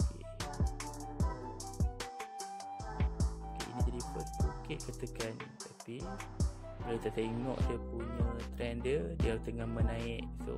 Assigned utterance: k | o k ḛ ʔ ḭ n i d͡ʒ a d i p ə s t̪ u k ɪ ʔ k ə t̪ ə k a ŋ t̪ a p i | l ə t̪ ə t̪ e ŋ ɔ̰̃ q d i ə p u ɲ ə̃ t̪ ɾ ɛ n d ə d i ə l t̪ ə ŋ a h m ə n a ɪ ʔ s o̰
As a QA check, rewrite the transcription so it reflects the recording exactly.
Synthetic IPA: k | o k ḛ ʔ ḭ n i d͡ʒ a d i p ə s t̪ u k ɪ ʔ k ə t̪ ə k a n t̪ a p i | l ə t̪ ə t̪ e ŋ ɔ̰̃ ʔ d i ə p u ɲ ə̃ t̪ ɾ ɛ n d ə d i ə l t̪ ə ŋ a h m ə n a ɪ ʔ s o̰

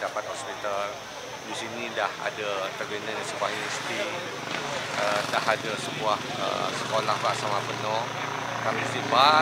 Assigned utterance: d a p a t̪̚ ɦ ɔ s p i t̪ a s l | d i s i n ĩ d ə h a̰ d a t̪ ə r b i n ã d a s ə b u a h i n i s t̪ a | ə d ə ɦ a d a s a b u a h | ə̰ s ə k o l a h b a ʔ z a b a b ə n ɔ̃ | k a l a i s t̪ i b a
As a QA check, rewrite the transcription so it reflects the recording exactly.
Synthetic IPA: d a p a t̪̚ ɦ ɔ s p i t̪ a l | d i s i n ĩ d a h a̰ d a t̪ ə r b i n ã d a s ə b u a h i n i s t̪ i | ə d a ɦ a d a s ə b u a h | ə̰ s ə k o l a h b a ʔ s a m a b ə n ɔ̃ | k a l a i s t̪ i b a

